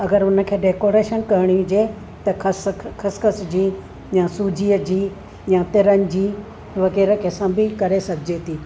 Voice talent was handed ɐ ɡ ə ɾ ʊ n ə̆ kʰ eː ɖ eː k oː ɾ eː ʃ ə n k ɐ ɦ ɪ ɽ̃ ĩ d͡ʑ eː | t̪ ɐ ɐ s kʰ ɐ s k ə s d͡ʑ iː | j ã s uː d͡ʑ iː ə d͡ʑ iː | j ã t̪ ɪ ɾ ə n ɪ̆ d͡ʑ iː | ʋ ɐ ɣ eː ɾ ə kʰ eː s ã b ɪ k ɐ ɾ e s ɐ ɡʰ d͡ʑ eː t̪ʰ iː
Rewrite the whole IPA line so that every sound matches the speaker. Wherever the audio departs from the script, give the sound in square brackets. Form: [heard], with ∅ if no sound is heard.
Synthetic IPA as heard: ɐ ɡ ə ɾ ʊ n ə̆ kʰ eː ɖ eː k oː ɾ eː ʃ ə n k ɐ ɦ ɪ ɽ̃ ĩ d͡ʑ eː | t̪ ɐ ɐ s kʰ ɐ s k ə s d͡ʑ iː | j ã s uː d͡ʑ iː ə d͡ʑ iː | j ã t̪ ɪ ɾ ə n ɪ̆ d͡ʑ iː | ʋ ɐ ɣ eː ɾ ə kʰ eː s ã b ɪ k ɐ ɾ e s ɐ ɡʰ d͡ʑ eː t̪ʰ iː